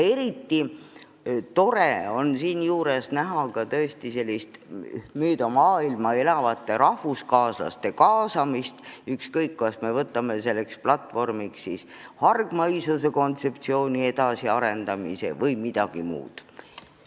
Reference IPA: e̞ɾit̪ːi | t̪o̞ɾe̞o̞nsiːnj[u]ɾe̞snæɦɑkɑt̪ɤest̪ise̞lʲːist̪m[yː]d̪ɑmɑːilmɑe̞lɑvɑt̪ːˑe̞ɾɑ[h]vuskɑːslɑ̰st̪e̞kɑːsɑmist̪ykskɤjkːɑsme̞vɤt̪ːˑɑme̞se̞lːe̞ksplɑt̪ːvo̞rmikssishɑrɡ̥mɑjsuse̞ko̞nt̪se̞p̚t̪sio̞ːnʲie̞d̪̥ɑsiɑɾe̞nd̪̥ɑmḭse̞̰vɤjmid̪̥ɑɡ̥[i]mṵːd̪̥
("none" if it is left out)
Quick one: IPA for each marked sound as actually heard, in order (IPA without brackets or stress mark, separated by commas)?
uː, yː, h, i